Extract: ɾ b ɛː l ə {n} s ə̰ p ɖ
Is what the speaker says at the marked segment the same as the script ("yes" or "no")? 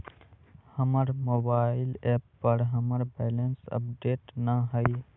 yes